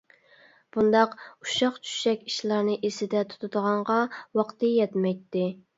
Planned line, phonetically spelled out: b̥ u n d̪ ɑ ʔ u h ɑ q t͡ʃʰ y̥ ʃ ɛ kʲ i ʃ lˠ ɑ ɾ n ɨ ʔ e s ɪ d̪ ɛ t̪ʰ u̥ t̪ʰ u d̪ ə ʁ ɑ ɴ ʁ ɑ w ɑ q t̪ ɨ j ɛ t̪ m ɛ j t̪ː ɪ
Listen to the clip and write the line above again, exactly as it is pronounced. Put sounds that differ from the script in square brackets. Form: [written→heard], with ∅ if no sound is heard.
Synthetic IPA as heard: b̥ u n d̪ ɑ [ʔ→q] u [h→ʃ] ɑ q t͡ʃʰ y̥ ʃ ɛ kʲ i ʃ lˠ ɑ ɾ n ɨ ʔ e s ɪ d̪ ɛ t̪ʰ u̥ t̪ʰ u d̪ ə ʁ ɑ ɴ ʁ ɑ w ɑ q t̪ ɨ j ɛ t̪ m ɛ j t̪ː ɪ